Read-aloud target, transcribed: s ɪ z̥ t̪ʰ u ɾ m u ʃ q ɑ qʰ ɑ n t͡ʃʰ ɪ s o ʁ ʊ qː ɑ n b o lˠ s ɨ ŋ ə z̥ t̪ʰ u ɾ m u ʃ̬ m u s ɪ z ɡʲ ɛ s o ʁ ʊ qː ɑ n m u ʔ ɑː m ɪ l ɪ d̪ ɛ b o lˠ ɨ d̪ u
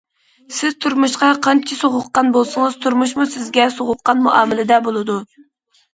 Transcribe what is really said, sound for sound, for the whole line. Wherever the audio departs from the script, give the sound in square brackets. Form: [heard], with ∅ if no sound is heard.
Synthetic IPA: s ɪ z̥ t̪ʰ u ɾ m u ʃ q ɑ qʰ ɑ n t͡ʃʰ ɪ s o ʁ ʊ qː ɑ n b o lˠ s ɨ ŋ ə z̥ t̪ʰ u ɾ m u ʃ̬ m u s ɪ z ɡʲ ɛ s o ʁ ʊ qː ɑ n m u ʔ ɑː m ɪ l ɪ d̪ ɛ b o lˠ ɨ d̪ u